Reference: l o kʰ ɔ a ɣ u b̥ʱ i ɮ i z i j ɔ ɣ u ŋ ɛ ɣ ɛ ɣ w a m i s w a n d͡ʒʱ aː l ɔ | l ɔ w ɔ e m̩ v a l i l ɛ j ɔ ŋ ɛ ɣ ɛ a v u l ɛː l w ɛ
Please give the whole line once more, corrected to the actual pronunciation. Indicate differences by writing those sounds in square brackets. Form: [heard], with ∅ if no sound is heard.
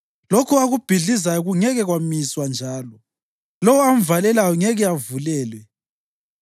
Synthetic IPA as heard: l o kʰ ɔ a ɣ u b̥ʱ i ɮ i z [a] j ɔ ɣ u ŋ ɛ ɣ ɛ ɣ w a m i s w a n d͡ʒʱ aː l ɔ | l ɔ w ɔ [a] m̩ v a l [ɛ] l [a] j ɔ ŋ ɛ ɣ ɛ a v u l ɛː l w ɛ

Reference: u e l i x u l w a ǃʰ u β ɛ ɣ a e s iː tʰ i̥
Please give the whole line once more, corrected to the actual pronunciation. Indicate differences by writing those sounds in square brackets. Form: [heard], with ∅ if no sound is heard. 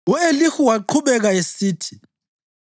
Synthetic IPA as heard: u e l i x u [∅] w a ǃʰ u β ɛ ɣ a e s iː tʰ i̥

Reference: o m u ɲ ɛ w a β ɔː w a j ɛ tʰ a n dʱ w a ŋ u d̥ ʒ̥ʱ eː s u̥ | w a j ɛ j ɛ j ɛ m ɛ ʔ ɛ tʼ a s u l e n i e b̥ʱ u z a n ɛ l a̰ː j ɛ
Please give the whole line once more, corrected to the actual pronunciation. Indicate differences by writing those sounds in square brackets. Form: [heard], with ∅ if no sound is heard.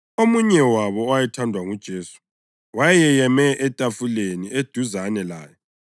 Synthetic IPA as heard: o m u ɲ ɛ w a β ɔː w a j ɛ tʰ a n dʱ w a ŋ u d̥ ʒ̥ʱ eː s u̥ | w a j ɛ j ɛ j ɛ m ɛ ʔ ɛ tʼ a [f] u l e n i e [d̥ʱ] u z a n ɛ l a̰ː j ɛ

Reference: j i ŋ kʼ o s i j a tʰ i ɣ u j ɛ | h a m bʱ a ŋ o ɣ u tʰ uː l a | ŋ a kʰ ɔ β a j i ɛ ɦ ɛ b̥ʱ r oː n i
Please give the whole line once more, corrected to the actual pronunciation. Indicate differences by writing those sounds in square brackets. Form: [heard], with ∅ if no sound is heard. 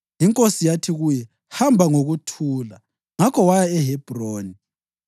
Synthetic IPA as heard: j i ŋ kʼ o s i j a tʰ i ɣ u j ɛ | h a m bʱ a ŋ o ɣ u tʰ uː l a | ŋ a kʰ ɔ [w] a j [a] ɛ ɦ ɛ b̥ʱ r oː n i

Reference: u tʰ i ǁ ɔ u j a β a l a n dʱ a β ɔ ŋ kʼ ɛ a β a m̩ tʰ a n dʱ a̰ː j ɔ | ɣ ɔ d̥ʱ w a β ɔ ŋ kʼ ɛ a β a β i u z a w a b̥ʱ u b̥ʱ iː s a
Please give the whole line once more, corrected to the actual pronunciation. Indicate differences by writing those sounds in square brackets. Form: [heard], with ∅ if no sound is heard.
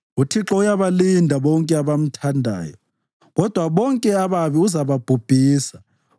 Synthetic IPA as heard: u tʰ i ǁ ɔ u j a β a l [i] n dʱ a β ɔ ŋ kʼ ɛ a β a m̩ tʰ a n dʱ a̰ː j ɔ | ɣ ɔ d̥ʱ w a β ɔ ŋ kʼ ɛ a β a β i u z a [β] a b̥ʱ u b̥ʱ iː s a

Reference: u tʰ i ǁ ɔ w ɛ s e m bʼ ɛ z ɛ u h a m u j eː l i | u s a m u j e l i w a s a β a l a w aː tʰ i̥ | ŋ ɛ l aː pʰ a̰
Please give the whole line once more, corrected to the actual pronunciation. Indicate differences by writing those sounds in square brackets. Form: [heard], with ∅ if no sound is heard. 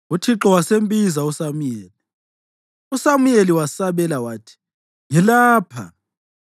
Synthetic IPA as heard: u tʰ i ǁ ɔ w [a] s e m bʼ [i] z [a] u [s] a m u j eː l i | u s a m u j e l i w a s a β [ɛ] l a w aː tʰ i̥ | ŋ ɛ l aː pʰ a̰

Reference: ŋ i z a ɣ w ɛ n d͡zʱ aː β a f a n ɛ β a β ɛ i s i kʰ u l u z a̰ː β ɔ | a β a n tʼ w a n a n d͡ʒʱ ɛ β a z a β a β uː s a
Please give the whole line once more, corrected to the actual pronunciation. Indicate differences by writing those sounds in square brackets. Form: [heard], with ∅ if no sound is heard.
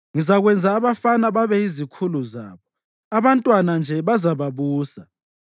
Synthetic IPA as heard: ŋ i z a ɣ w ɛ n d͡zʱ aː β a f a n [a] β a β ɛ i [z] i kʰ u l u z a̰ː β ɔ | a β a n tʼ w a n a n d͡ʒʱ ɛ β a z a β a β uː s a

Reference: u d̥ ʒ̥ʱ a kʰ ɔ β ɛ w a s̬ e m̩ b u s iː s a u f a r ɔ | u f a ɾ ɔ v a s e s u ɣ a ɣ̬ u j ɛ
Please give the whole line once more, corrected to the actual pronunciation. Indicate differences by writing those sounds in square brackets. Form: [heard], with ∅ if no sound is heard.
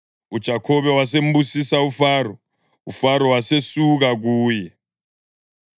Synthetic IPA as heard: u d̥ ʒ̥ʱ a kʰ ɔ β ɛ w a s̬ e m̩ b u s [i] s a u f a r ɔ | u f a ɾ ɔ [w] a s e s u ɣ a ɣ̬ [uː] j ɛ

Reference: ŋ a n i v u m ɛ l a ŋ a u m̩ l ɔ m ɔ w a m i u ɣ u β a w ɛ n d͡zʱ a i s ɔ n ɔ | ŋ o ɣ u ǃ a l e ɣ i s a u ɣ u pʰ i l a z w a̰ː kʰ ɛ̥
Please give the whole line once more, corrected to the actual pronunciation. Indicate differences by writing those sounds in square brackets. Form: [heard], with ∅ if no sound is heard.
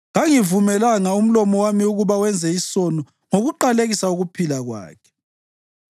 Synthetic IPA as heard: ŋ a [ŋ] i v u m ɛ l a ŋ a u m̩ l ɔ m ɔ w a m i u ɣ u β a w ɛ n d͡zʱ [ɛ] i s ɔ n ɔ | ŋ o ɣ u ǃ a l e ɣ i s a u ɣ u pʰ i l a [ɣ] w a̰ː kʰ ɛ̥

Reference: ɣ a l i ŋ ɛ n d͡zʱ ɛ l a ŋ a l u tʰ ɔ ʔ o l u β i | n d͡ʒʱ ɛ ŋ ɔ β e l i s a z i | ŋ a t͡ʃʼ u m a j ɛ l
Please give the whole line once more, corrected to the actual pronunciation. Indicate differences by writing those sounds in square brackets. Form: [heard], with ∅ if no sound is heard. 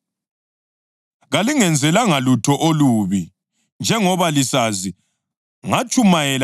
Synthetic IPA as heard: ɣ a l i ŋ ɛ n d͡zʱ ɛ l a ŋ a l u tʰ ɔ ʔ o l u β i | n d͡ʒʱ ɛ ŋ ɔ β [a] l i s a z i | ŋ a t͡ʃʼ u m a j ɛ l

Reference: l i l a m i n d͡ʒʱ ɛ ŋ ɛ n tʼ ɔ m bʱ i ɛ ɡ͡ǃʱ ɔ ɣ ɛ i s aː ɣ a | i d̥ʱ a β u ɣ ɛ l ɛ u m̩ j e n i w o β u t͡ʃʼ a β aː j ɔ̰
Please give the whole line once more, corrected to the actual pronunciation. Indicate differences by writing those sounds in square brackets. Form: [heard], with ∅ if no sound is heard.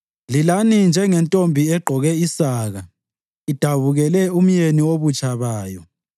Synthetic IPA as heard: l i l a [n] i n d͡ʒʱ ɛ ŋ ɛ n tʼ [o] m bʱ i ɛ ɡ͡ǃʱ ɔ ɣ ɛ i s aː ɣ a | i d̥ʱ a β u ɣ ɛ l ɛ u m̩ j e n i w o β u t͡ʃʼ a β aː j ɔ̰

